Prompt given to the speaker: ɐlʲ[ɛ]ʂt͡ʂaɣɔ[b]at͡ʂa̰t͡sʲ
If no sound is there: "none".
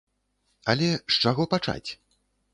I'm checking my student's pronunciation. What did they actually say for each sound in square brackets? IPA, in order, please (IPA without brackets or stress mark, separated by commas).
ɛ, p